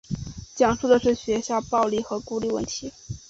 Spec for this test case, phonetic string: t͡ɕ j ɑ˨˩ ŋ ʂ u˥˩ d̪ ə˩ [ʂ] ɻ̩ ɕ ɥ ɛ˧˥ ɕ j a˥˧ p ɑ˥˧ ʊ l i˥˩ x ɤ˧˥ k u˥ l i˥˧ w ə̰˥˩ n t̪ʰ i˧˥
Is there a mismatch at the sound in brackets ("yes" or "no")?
no